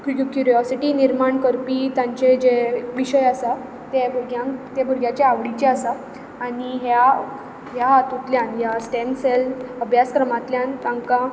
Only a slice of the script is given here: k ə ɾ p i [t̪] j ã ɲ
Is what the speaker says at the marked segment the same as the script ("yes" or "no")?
yes